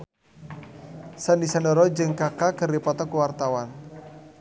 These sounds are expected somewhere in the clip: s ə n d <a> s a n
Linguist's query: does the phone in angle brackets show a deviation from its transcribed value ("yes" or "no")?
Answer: yes